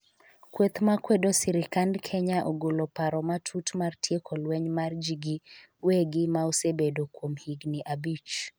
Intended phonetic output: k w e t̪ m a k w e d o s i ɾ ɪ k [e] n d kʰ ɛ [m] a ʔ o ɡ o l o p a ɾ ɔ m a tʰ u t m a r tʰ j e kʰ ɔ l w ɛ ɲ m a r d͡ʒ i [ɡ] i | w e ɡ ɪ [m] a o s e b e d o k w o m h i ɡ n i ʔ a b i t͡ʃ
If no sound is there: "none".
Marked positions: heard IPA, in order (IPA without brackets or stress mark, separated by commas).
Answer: a, ɲ, ɡ, m